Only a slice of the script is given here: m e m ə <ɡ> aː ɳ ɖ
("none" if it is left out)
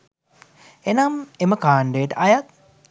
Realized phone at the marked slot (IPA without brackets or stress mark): k